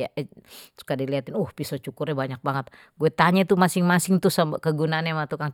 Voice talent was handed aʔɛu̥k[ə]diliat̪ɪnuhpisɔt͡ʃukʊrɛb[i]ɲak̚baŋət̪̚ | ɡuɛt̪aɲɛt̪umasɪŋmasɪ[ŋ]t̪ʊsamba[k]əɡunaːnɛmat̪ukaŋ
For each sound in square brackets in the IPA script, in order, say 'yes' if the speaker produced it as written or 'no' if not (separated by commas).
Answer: no, no, yes, yes